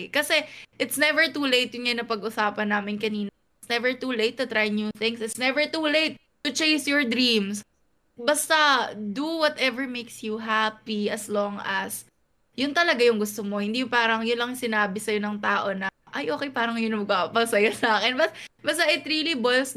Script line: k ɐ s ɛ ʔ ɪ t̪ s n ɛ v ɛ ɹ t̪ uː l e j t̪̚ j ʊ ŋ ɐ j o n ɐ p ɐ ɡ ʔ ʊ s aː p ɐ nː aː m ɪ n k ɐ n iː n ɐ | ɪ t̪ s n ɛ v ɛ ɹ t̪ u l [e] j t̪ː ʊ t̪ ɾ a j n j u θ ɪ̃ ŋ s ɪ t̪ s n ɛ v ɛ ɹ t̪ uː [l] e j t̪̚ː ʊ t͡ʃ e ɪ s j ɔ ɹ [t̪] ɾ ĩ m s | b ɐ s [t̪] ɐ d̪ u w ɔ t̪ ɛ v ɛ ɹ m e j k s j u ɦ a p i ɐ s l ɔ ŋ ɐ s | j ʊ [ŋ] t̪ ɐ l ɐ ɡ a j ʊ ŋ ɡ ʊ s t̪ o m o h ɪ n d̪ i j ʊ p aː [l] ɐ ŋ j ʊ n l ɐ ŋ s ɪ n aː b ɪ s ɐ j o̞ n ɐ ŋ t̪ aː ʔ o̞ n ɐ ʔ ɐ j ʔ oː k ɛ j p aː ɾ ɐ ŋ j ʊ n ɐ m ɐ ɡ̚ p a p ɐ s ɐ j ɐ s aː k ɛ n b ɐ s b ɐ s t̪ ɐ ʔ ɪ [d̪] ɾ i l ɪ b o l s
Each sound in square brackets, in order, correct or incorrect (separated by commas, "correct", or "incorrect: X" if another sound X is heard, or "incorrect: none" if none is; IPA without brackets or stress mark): correct, correct, incorrect: d̪, correct, incorrect: n, incorrect: ɾ, incorrect: t̪